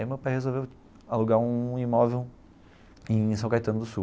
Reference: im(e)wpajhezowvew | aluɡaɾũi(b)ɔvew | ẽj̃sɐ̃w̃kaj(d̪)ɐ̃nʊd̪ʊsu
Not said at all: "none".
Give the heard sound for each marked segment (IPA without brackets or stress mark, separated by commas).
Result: e, m, t̪